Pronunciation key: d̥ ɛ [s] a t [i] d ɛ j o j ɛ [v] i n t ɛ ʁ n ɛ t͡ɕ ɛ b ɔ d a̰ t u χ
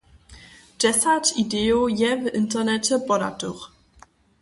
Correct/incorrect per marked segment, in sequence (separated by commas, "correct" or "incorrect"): correct, correct, correct